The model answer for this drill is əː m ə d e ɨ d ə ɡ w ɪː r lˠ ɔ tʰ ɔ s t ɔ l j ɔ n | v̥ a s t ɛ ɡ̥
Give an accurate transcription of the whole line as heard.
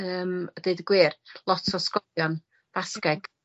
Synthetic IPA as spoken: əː m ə d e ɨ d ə ɡ w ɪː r lˠ ɔ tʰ ɔ s k ɔ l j ɔ n | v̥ a s k ɛ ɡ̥